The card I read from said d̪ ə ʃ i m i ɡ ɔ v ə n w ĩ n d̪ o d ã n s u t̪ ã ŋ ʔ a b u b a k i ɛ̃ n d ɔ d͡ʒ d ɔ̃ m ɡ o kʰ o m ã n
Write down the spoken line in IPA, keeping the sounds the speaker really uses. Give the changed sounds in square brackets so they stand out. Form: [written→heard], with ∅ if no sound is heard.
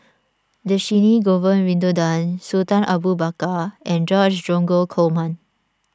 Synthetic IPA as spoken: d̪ ə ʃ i [m→n] i ɡ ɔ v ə n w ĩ n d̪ o d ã n s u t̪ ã [ŋ→n] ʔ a b u b a k [i→a] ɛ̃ n [d→d͡ʒ] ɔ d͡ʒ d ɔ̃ [m→ŋ] ɡ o kʰ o m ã n